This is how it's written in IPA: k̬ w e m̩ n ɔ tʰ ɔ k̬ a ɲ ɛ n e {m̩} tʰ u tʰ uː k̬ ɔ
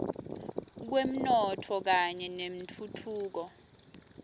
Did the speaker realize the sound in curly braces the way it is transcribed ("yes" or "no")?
yes